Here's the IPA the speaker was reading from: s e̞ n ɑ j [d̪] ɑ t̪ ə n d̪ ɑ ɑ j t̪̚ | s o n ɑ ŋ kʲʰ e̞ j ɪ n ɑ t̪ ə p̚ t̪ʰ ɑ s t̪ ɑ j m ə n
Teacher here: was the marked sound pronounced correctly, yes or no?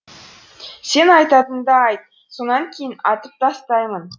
no